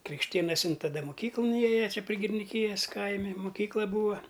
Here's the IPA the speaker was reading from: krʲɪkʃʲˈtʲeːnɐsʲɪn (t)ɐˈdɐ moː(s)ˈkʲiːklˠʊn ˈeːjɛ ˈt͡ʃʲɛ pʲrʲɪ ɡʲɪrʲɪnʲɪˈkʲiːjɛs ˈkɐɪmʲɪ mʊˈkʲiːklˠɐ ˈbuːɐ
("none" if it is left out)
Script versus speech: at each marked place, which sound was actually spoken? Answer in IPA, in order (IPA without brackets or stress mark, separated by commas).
t, none